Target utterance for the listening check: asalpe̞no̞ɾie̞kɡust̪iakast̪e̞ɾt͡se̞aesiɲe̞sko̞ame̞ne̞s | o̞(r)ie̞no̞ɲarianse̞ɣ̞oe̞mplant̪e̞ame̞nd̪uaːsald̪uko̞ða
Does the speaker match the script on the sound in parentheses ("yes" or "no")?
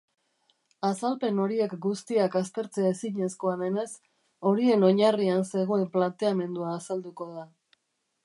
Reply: no